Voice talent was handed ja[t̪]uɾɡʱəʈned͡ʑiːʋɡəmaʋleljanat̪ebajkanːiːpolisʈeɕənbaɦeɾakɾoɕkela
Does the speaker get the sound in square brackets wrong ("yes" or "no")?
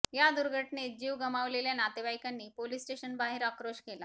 yes